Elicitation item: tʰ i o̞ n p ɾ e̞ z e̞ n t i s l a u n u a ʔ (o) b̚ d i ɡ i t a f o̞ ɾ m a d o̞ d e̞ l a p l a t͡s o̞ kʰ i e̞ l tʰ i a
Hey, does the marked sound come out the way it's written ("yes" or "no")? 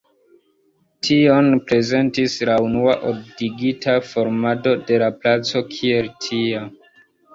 yes